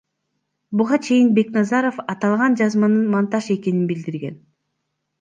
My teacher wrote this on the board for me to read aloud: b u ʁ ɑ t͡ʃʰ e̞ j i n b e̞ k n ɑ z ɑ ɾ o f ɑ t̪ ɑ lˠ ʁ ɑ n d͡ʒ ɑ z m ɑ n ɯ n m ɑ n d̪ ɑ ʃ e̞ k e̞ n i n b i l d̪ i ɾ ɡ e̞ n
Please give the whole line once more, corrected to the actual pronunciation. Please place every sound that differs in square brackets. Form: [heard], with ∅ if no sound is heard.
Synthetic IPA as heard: b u ʁ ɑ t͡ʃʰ e̞ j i n b e̞ k n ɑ z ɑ ɾ o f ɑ t̪ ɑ lˠ ʁ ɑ n d͡ʒ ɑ z m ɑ n ɯ n m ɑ n [t̪] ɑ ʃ e̞ k e̞ n i n b i l d̪ i ɾ ɡ e̞ n